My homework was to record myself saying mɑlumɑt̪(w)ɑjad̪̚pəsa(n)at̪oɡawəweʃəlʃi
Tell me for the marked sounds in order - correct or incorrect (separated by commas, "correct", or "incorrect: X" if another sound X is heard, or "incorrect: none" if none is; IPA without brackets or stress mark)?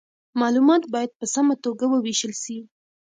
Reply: incorrect: b, incorrect: m